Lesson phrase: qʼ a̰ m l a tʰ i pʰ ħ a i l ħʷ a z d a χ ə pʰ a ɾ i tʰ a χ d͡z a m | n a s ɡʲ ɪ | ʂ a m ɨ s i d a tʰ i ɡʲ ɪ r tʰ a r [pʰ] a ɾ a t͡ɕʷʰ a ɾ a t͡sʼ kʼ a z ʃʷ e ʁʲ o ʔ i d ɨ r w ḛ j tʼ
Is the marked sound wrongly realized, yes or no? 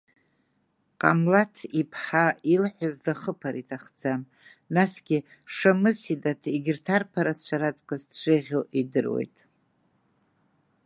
no